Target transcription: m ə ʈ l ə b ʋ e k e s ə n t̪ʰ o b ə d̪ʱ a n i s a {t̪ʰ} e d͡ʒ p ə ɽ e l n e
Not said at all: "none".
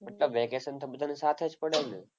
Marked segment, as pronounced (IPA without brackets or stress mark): t̪ʰ